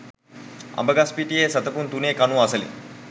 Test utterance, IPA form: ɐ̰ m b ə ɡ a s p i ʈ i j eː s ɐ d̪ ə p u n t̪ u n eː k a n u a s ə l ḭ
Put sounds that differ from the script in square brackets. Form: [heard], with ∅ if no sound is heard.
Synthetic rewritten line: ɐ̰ m b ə ɡ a s p i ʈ i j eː s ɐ [t̪] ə p u n t̪ u n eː k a n u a s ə l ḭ